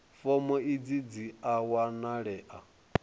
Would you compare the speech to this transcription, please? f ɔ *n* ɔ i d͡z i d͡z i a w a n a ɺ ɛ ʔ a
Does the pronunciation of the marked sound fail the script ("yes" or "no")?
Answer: yes